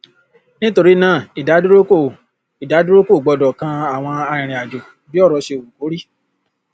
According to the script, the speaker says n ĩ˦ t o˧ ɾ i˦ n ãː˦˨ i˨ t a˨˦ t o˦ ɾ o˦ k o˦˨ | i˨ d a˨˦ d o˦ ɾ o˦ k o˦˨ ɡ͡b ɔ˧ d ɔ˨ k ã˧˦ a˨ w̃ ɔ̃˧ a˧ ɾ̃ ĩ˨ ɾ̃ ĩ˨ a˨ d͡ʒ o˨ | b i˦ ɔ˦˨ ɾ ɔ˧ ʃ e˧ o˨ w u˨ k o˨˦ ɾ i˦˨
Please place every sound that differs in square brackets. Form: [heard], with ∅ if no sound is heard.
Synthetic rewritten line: n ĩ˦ t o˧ ɾ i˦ n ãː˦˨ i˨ [d] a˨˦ [d] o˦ ɾ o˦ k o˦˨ | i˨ d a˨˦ d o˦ ɾ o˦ k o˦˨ ɡ͡b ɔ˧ d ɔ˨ k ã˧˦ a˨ w̃ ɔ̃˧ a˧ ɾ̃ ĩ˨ ɾ̃ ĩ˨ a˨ d͡ʒ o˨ | b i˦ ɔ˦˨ ɾ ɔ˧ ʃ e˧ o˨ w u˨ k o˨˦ ɾ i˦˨